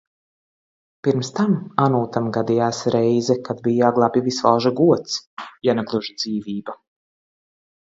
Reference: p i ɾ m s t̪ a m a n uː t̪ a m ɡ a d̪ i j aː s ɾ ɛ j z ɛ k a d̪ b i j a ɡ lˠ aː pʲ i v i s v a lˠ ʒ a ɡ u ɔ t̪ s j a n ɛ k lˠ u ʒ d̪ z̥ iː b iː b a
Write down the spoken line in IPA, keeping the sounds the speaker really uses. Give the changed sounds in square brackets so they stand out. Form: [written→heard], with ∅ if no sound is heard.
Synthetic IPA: p i ɾ m s t̪ a m a n uː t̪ a m ɡ a d̪ i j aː s ɾ ɛ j z ɛ k a d̪ b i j a ɡ lˠ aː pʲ i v i s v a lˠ ʒ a ɡ u ɔ t̪ s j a n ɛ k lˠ u ʒ d̪ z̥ iː [b→v] iː b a